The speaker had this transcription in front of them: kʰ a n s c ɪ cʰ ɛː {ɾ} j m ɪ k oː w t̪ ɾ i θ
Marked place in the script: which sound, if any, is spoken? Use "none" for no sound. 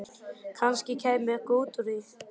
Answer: none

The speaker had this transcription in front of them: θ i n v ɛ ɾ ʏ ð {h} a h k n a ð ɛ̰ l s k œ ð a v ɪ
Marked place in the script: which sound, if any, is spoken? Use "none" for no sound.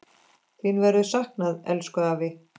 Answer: s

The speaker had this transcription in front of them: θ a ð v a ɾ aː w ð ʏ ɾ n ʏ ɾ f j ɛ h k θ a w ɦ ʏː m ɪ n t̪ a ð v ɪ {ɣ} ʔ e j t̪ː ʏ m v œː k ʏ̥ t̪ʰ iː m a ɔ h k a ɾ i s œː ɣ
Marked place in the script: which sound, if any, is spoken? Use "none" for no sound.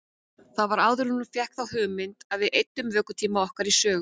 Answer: ð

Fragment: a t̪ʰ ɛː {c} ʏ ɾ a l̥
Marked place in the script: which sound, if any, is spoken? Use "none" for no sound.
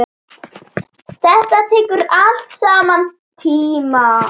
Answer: k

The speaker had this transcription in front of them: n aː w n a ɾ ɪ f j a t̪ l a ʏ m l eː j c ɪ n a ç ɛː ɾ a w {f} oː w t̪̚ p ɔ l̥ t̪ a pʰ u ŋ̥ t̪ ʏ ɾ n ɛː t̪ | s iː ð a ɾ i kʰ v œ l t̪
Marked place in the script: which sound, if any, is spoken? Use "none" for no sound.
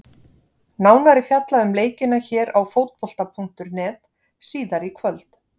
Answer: f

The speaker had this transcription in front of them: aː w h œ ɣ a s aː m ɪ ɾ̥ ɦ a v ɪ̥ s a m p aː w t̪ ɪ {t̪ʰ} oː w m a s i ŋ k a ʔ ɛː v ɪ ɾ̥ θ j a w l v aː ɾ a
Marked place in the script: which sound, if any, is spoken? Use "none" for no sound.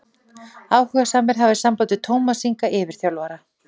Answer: t̪ʰ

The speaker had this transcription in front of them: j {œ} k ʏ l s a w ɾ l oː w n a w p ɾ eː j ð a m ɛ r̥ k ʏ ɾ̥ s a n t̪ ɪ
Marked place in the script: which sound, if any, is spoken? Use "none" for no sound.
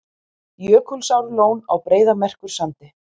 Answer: œː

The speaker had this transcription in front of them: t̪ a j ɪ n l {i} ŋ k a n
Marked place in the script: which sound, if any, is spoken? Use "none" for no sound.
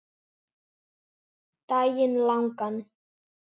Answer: a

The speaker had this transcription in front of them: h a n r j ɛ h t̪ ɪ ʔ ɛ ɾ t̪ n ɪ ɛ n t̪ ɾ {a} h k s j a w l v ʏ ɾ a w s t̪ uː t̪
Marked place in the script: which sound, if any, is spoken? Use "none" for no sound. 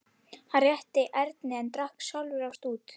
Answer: a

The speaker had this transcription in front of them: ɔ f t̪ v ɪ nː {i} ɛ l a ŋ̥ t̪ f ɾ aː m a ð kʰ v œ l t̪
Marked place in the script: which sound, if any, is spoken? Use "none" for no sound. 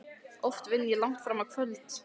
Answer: j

